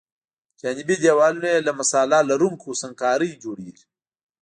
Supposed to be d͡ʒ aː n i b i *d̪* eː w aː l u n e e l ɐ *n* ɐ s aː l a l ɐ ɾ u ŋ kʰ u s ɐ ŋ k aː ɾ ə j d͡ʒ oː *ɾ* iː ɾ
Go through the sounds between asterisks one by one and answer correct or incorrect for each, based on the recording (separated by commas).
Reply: correct, incorrect, incorrect